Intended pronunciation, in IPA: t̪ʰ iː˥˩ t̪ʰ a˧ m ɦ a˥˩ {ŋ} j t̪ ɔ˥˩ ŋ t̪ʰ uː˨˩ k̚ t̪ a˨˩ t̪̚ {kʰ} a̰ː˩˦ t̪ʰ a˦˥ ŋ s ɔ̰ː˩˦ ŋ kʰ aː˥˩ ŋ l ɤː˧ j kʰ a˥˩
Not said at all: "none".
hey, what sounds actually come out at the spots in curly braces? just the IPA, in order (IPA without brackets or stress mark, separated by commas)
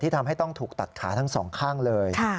none, kʰ